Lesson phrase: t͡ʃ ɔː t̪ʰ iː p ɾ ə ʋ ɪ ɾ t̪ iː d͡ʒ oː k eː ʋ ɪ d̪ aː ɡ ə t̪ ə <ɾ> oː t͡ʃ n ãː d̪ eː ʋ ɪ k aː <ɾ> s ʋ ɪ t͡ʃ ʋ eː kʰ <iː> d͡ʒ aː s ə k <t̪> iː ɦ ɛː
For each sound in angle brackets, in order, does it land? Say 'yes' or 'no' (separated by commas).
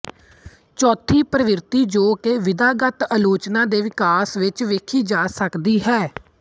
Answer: no, no, yes, no